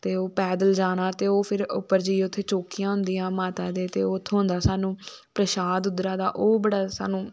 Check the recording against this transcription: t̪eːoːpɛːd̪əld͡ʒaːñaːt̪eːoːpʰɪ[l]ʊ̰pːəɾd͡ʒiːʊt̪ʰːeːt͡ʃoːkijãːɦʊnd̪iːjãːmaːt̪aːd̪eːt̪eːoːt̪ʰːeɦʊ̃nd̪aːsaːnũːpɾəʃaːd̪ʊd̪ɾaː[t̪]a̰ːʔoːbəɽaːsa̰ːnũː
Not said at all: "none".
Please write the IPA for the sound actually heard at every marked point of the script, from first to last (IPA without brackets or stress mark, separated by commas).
ɾ, d̪